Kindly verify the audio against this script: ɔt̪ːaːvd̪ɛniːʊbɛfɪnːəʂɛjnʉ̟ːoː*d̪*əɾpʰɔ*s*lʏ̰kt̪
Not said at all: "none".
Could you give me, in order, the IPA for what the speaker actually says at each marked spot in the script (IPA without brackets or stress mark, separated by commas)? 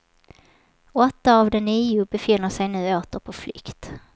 t̪, f